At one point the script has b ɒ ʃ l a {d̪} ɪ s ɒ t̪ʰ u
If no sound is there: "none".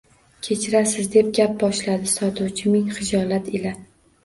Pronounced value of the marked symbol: d̪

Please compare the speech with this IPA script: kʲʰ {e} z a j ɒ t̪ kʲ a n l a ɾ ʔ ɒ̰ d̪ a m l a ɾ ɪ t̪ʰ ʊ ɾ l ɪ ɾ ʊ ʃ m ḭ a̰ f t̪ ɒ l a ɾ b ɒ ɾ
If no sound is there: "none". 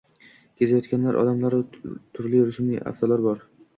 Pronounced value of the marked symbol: e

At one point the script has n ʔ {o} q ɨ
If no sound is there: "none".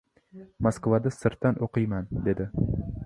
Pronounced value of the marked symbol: o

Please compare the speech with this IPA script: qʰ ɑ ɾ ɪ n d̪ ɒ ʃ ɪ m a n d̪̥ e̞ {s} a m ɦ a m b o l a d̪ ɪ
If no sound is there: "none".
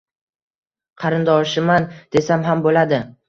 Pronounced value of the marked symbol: s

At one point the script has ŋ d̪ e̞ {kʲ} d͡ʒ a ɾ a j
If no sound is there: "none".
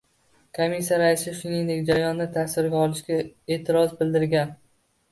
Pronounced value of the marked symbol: kʲ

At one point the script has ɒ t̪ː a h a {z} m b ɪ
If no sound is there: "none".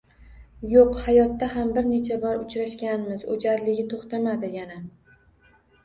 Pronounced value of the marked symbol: none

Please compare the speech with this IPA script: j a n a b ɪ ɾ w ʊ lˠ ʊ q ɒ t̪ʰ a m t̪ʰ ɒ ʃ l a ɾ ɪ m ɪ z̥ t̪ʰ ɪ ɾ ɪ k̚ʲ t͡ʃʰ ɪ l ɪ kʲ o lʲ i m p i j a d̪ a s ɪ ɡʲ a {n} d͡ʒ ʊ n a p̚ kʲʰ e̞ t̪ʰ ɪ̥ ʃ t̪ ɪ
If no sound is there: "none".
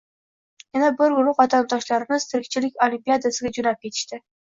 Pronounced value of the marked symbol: none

